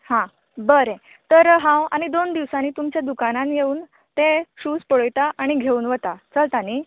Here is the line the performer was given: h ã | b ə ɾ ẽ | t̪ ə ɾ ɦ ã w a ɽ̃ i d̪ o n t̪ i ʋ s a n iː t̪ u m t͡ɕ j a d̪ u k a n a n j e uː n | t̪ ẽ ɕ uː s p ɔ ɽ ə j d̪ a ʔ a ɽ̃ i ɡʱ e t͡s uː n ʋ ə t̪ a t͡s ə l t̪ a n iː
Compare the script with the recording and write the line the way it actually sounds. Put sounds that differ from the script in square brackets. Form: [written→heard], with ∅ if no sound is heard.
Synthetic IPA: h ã | b ə ɾ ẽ | t̪ ə ɾ ɦ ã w a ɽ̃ i d̪ o n [t̪→d̪] i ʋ s a n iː t̪ u m t͡ɕ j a d̪ u k a n a n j e uː n | t̪ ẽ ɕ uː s p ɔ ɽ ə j [d̪→t̪] a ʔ a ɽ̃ i ɡʱ e [t͡s→∅] uː n ʋ ə t̪ a t͡s ə l t̪ a n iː